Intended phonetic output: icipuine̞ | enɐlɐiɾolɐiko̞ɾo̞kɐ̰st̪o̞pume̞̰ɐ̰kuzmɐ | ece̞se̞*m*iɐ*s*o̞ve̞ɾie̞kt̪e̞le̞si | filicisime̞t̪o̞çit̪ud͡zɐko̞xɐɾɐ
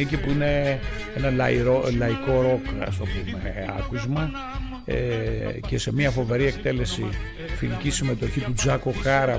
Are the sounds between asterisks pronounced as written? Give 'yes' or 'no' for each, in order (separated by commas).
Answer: yes, no